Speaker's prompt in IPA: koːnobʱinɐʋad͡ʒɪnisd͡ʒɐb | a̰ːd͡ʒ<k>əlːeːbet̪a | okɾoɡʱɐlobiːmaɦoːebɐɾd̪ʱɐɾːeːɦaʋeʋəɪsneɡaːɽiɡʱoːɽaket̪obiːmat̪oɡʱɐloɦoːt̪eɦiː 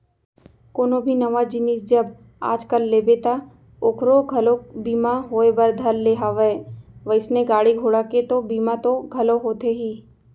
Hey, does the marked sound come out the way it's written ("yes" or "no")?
yes